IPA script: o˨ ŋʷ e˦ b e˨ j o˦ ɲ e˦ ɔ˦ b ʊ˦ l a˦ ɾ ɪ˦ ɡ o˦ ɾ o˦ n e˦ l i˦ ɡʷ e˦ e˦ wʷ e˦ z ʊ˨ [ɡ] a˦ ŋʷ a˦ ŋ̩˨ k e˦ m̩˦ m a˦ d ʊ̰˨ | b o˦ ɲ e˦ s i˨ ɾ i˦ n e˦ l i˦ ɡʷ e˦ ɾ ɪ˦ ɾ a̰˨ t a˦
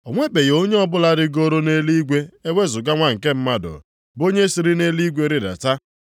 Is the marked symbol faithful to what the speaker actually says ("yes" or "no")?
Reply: yes